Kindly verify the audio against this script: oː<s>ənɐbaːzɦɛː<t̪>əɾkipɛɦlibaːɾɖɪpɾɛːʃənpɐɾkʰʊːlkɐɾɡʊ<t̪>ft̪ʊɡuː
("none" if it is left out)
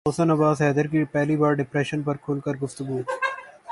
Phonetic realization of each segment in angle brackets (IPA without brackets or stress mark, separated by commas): s, d̪, none